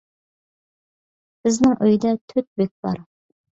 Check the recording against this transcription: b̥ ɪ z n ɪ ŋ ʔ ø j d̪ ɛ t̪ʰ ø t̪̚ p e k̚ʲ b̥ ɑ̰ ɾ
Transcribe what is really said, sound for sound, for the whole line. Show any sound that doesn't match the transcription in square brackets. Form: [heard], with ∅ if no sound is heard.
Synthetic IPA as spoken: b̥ ɪ z n ɪ ŋ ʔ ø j d̪ ɛ t̪ʰ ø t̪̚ [b] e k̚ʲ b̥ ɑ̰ ɾ